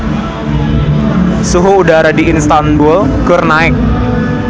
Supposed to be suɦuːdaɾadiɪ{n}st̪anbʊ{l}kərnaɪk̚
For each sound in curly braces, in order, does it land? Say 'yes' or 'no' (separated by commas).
yes, yes